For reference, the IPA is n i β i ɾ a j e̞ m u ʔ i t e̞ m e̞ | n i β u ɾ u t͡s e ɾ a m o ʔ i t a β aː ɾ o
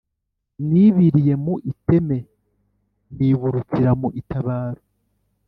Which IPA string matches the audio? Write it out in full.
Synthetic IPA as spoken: n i β i ɾ i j e̞ m u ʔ i t e̞ m e̞ | n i β u ɾ u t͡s i ɾ a m u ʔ i t a β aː ɾ o